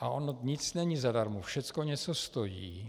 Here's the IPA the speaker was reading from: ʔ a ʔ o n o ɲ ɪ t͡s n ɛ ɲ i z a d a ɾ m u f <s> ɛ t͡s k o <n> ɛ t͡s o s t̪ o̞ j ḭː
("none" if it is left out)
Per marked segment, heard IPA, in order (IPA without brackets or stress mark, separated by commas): ʃ, ɲ